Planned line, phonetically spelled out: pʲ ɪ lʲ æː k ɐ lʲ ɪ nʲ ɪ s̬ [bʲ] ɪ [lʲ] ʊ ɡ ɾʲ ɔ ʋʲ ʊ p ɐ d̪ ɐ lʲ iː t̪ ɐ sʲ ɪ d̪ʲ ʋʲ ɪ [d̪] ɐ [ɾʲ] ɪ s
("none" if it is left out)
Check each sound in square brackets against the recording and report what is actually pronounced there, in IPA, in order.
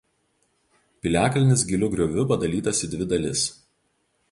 ɡʲ, lʲ, d̪, lʲ

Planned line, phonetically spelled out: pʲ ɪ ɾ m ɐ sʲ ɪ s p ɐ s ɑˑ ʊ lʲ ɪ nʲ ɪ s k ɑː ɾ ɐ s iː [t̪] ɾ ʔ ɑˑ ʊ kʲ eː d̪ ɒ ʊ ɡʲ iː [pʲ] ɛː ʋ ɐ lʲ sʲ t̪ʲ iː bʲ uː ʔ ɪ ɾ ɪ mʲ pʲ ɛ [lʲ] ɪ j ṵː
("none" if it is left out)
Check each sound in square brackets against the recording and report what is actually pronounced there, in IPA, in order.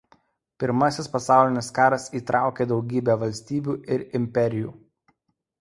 t̪, bʲ, ɾʲ

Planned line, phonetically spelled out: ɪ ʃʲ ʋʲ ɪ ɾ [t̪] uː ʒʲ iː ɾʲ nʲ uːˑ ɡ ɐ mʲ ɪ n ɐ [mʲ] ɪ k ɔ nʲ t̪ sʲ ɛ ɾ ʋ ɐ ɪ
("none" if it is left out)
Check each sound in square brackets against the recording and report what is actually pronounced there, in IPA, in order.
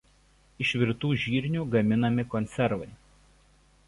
t̪, mʲ

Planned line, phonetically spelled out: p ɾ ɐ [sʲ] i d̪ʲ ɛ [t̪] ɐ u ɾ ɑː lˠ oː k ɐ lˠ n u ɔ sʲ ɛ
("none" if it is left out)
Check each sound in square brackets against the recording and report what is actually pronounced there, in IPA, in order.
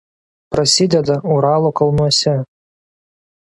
sʲ, d̪

